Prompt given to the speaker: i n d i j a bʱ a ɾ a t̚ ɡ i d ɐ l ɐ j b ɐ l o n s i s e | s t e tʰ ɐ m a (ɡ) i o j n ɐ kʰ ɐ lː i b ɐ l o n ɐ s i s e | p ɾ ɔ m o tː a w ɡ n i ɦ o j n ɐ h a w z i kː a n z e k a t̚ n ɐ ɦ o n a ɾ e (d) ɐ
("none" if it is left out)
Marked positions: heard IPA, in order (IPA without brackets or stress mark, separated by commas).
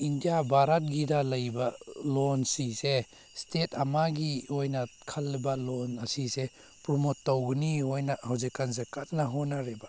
ɡ, b